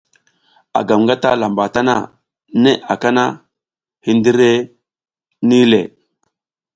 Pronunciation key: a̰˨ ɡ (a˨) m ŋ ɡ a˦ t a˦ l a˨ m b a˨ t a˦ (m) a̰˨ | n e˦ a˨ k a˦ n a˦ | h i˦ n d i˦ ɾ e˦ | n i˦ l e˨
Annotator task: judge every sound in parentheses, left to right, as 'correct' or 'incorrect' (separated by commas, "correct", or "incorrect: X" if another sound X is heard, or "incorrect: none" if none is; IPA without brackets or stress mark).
correct, incorrect: n